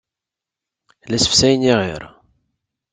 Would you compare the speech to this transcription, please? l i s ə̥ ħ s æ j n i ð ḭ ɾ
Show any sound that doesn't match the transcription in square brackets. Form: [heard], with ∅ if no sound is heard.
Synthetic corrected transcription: l [æ] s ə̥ [f] s æ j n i [ʁ] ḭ ɾ